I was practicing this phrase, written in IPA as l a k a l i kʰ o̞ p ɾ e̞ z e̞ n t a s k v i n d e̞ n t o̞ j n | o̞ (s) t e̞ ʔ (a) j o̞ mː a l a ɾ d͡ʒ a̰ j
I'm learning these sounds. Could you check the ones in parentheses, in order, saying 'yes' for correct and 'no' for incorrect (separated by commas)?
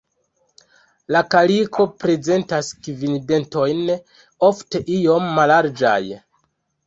no, no